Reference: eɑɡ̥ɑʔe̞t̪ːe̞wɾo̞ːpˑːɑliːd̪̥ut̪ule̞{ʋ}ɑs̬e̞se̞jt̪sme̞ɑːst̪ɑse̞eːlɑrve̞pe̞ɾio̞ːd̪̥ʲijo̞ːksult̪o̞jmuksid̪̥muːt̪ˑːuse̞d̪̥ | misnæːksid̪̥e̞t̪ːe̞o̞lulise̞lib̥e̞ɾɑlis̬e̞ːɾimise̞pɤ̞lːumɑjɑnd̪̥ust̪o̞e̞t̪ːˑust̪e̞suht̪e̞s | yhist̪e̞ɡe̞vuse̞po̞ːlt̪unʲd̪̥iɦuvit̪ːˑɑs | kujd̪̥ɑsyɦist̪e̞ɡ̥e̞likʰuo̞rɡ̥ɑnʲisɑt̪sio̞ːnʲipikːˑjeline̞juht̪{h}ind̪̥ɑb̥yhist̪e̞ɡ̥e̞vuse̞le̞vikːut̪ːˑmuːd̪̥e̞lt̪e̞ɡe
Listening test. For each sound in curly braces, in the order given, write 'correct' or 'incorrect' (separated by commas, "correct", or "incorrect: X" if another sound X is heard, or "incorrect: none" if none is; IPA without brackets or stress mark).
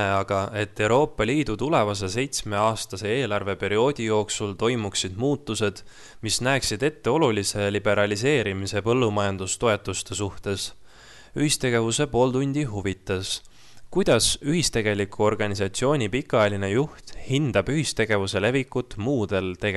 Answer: incorrect: v, correct